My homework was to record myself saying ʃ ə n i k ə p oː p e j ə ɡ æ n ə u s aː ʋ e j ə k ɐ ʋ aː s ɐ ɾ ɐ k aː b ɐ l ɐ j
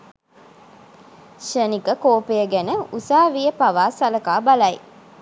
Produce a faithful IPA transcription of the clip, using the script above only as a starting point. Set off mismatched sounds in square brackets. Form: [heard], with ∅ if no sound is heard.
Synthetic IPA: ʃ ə n i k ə [k] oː p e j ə ɡ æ n ə u s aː ʋ [i] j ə [p] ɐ ʋ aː s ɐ [l] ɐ k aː b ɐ l ɐ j